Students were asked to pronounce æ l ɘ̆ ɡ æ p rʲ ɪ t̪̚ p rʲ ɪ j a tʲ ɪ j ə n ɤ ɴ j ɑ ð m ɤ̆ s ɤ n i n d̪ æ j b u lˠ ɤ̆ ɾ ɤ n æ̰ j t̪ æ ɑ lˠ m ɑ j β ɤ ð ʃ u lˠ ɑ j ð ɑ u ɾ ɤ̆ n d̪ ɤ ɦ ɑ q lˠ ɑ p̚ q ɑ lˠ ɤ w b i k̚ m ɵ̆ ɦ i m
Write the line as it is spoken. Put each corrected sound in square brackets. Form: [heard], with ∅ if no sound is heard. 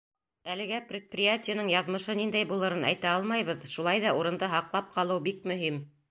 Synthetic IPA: æ l ɘ̆ ɡ æ p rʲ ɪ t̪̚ p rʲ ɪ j a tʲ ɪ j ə n ɤ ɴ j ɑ ð m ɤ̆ [ʃ] ɤ n i n d̪ æ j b u lˠ ɤ̆ ɾ ɤ n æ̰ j t̪ æ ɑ lˠ m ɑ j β ɤ ð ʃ u lˠ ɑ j ð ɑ u ɾ ɤ̆ n d̪ ɤ ɦ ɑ q lˠ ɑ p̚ q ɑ lˠ ɤ w b i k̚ m ɵ̆ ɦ i m